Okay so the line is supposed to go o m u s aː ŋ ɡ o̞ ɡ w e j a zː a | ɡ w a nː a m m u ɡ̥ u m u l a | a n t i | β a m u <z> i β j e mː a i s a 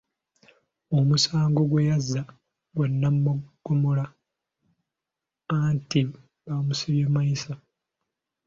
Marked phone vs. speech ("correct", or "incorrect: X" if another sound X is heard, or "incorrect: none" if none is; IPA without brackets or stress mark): incorrect: s